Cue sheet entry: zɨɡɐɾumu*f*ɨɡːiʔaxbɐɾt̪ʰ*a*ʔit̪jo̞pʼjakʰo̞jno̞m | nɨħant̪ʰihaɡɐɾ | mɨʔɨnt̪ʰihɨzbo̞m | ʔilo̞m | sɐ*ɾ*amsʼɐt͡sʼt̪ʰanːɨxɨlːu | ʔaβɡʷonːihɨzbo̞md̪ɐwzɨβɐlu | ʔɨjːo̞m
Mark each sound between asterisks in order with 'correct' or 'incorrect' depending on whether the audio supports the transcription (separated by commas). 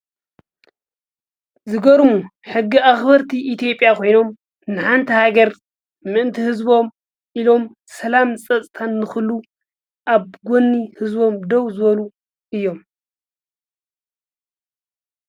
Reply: incorrect, incorrect, incorrect